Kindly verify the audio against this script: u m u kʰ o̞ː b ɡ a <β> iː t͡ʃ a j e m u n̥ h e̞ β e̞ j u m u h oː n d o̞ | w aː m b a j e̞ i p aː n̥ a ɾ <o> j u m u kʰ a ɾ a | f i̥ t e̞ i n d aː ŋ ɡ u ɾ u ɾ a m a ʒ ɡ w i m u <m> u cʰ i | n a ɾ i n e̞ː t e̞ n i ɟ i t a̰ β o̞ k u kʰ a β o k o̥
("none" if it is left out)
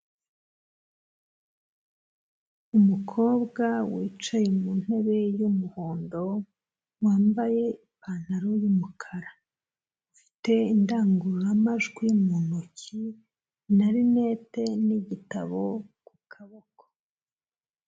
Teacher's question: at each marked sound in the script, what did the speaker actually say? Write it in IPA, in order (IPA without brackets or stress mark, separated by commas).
w, o, n